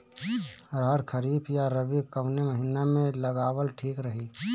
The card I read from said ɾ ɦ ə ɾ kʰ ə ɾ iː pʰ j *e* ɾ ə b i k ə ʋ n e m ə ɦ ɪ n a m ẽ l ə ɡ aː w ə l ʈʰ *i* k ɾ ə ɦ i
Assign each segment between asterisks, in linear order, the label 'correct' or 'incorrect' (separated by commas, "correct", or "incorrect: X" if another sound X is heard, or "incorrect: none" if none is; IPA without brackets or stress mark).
incorrect: a, incorrect: iː